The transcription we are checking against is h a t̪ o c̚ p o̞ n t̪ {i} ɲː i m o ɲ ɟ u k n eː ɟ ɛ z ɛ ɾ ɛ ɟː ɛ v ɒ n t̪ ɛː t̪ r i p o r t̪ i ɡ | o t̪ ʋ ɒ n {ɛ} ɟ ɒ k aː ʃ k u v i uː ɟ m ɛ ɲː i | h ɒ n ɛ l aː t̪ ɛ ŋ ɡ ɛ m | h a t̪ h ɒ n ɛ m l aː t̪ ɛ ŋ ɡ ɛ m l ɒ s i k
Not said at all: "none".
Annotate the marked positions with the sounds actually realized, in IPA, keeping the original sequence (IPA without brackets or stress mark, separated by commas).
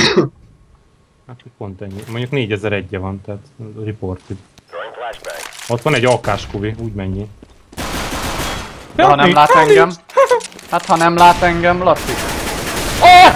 ɛ, ɛ